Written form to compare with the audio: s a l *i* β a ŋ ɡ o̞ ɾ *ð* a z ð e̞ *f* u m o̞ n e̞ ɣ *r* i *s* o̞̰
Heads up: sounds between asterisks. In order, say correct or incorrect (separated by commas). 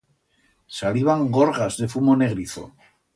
correct, incorrect, correct, incorrect, incorrect